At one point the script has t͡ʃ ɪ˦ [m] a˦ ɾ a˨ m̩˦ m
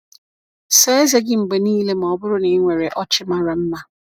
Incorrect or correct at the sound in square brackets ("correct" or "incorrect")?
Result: correct